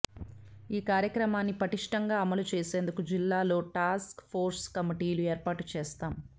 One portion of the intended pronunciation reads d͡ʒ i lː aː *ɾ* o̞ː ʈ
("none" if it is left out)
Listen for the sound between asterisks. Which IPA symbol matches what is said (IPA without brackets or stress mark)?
l